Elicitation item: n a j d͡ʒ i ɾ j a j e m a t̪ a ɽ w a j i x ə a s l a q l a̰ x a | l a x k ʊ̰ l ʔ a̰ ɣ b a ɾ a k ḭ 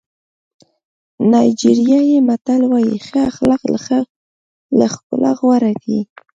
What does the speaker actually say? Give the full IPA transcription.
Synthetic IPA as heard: n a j d͡ʒ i ɾ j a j e m a t̪ a l w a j i x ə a x l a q l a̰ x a | l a x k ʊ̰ l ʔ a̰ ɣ w a ɾ a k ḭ